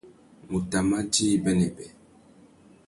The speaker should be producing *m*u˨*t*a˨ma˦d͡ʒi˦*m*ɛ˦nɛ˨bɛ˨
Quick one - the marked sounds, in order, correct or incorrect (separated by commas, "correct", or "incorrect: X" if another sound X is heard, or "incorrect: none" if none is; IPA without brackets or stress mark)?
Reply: correct, correct, incorrect: b